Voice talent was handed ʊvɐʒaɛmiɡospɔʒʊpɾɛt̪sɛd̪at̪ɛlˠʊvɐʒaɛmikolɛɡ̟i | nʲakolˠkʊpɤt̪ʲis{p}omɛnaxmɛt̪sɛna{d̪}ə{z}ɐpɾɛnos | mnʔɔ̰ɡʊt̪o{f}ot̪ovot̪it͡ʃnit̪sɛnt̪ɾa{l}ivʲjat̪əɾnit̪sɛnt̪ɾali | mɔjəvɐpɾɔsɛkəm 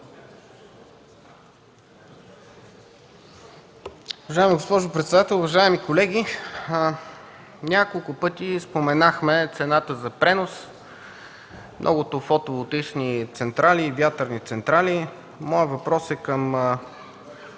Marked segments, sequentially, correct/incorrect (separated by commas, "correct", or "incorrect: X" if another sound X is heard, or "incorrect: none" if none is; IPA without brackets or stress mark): correct, incorrect: t̪, correct, correct, correct